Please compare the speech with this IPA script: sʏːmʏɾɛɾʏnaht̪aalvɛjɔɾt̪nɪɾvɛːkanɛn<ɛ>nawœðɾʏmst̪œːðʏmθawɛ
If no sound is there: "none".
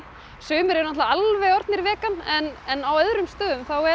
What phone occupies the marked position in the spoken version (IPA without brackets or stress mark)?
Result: ɛ